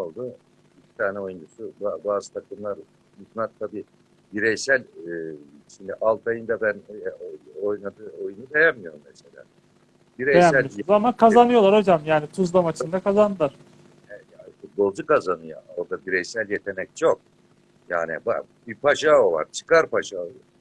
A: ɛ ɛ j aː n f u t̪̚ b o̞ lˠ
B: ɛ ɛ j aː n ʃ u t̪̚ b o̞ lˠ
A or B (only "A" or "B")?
A